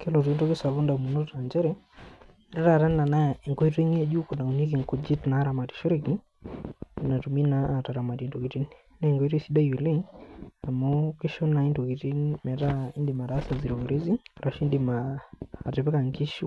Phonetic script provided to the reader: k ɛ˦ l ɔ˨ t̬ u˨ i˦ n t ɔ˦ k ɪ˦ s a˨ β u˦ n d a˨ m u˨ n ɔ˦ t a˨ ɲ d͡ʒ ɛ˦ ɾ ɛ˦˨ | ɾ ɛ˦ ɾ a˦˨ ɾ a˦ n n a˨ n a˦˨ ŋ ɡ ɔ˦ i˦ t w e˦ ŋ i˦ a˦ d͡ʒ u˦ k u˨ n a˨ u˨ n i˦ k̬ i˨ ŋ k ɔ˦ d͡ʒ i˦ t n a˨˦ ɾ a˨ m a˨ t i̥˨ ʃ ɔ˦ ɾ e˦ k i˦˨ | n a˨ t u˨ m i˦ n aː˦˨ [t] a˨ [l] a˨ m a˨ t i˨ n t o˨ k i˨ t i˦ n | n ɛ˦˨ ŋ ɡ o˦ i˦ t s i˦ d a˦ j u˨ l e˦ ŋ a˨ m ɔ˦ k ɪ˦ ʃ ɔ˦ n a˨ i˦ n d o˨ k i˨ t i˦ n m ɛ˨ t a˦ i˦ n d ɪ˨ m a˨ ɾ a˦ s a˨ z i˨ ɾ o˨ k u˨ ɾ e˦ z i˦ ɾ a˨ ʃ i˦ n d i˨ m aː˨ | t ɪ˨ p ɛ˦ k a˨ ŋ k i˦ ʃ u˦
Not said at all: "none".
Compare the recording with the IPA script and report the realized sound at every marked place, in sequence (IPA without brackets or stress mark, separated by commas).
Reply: t, ɾ